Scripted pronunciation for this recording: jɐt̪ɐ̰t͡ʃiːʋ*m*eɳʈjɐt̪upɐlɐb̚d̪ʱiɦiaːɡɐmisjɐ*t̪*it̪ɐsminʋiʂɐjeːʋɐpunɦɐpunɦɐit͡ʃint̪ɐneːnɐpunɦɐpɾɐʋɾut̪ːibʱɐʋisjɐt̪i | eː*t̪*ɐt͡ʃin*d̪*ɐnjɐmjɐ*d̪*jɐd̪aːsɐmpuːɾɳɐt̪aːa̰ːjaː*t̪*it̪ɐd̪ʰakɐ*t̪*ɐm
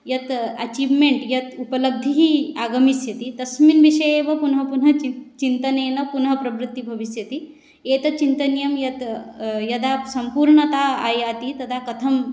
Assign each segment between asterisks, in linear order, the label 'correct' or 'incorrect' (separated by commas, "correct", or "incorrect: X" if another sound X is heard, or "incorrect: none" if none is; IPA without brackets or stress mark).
correct, correct, correct, incorrect: t̪, incorrect: t̪, correct, incorrect: t̪ʰ